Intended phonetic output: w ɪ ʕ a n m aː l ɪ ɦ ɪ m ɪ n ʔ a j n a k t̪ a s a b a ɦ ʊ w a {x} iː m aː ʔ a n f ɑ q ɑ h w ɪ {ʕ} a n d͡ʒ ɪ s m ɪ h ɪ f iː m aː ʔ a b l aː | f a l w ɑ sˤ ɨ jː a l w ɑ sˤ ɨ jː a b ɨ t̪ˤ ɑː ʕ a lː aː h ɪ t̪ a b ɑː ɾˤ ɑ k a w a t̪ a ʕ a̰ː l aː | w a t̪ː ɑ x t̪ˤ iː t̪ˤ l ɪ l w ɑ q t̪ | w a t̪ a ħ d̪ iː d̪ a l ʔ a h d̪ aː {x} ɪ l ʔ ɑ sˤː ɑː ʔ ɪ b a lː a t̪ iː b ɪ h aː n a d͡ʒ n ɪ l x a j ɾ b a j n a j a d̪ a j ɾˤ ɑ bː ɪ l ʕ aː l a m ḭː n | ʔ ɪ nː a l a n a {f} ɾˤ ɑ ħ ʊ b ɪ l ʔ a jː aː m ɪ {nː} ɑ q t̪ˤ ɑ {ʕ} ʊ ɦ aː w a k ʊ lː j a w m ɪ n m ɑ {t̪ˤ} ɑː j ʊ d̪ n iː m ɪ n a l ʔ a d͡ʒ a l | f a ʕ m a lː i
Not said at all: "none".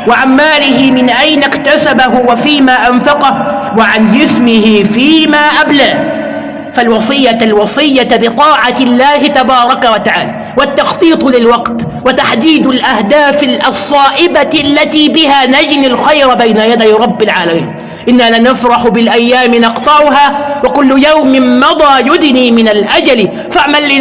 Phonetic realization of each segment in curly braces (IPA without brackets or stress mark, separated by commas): f, ʕ, f, f, n, ʕ, d̪ˤ